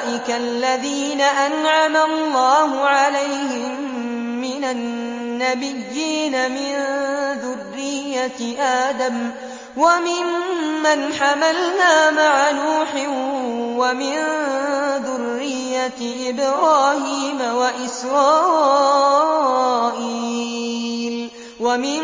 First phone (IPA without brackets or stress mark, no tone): ʔ